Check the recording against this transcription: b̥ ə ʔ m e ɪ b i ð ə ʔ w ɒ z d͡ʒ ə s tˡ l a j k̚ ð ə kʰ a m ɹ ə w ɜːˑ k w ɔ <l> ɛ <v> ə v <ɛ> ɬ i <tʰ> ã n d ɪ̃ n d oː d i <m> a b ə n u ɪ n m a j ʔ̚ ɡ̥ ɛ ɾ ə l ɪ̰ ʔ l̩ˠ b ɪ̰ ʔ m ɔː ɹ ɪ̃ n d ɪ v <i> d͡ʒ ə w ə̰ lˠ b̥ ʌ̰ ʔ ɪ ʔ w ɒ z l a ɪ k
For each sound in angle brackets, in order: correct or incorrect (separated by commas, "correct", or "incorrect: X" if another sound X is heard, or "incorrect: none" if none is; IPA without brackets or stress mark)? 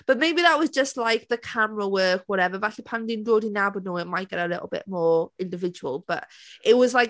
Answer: incorrect: ɾ, correct, incorrect: a, incorrect: pʰ, incorrect: n, incorrect: ɪ